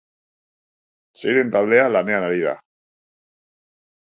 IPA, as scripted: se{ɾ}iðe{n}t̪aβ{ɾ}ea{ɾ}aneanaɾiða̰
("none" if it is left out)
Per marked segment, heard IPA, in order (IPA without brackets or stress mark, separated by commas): none, n, l, l